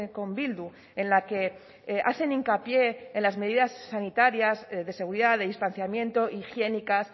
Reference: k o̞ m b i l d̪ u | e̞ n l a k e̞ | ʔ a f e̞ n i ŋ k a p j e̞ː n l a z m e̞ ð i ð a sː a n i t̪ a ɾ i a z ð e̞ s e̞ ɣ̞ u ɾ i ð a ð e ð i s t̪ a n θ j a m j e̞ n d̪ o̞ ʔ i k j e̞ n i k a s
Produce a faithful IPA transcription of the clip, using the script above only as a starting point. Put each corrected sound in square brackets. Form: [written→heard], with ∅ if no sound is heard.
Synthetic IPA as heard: k o̞ m b i l d̪ u | e̞ n l a k e̞ | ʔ a [f→θ] e̞ n i ŋ k a p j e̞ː n l a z m e̞ ð i ð a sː a n i t̪ a ɾ [i→j] a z ð e̞ s e̞ ɣ̞ u ɾ i ð a ð e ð i s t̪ a n θ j a m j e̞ n [d̪→t̪] o̞ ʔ i [k→x] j e̞ n i k a s